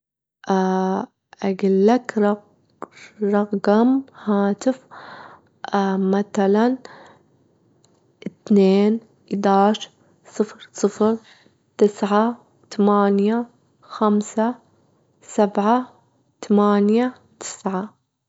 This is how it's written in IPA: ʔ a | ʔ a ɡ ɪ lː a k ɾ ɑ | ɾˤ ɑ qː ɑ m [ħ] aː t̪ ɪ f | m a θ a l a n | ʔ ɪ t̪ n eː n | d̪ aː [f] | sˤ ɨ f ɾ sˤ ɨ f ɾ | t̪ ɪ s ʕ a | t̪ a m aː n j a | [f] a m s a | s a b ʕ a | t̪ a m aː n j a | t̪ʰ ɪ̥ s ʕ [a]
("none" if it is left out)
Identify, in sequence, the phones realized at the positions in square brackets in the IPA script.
h, ʃ, x, a

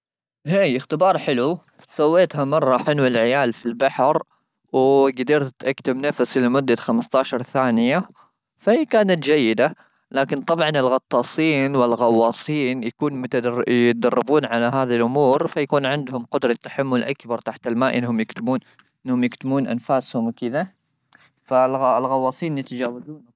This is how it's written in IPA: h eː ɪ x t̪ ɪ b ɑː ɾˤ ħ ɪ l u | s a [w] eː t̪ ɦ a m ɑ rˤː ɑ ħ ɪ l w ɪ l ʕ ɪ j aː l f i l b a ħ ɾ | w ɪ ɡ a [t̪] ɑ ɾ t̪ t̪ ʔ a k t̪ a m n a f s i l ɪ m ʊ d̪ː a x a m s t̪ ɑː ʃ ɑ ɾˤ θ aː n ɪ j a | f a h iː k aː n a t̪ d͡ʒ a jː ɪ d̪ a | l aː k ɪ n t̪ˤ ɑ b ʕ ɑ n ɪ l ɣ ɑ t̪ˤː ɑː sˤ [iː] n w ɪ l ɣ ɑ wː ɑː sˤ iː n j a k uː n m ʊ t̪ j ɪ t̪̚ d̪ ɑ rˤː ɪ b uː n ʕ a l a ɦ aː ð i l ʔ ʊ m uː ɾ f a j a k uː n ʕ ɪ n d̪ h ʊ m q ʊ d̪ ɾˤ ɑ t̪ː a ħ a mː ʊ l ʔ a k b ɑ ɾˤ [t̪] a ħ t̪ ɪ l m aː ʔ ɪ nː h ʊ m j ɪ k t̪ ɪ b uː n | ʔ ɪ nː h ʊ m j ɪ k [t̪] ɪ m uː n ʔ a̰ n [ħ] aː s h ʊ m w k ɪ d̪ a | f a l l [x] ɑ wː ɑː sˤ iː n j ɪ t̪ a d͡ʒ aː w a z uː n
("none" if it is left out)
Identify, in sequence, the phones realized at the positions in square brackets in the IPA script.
wː, d̪, iː, t̪, t̪, f, ɣ

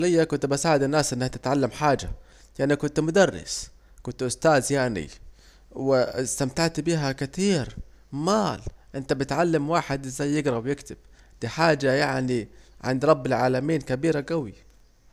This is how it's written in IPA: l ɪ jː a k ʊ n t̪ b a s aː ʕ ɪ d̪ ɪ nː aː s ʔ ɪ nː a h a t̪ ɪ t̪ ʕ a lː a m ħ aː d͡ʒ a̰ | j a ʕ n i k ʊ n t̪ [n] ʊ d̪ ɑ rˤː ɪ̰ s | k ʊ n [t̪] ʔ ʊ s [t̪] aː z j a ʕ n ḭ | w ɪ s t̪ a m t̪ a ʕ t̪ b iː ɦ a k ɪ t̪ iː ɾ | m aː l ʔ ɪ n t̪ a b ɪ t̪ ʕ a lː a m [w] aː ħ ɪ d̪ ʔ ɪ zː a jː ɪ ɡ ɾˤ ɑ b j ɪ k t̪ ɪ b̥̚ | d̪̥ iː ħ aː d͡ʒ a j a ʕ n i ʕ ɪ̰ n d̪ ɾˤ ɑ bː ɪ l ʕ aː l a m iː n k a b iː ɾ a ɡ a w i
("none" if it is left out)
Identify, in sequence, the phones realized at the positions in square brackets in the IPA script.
m, t̪, t̪, w

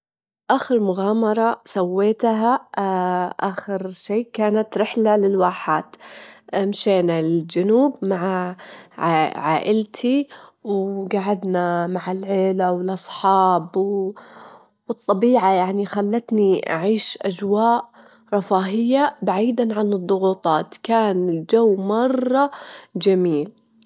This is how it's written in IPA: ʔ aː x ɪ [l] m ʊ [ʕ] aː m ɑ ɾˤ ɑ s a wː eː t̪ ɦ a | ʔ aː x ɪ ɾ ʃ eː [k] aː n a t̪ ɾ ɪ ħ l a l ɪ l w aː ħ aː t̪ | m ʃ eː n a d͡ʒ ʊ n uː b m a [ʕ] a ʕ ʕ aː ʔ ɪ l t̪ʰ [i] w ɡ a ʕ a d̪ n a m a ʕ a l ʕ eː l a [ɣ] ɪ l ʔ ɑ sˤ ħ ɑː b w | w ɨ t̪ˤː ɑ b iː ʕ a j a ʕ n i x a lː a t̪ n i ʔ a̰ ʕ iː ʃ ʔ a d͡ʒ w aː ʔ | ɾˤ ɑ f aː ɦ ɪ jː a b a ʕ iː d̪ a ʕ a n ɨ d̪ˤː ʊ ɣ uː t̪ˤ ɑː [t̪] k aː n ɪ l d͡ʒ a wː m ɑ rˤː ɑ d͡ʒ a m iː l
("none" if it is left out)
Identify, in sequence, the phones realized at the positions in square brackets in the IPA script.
ɾ, ɣ, k, ʕ, i, w, t̪

